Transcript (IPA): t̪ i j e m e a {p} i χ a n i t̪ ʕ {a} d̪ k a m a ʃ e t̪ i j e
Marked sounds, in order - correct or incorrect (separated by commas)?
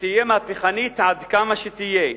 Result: correct, correct